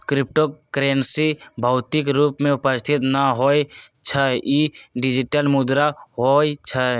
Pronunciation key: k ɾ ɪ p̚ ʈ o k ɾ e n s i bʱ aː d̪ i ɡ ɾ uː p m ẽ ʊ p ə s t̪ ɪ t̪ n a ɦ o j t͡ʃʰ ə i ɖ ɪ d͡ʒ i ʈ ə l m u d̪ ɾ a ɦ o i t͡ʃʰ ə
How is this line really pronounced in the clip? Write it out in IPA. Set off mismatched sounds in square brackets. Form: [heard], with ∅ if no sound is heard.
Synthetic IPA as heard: k ɾ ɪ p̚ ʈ o k ɾ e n s i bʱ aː [t̪] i [k] ɾ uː p m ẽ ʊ p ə s [t̪ʰ] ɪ t̪ n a ɦ o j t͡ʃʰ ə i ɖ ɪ d͡ʒ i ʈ ə l m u d̪ ɾ a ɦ o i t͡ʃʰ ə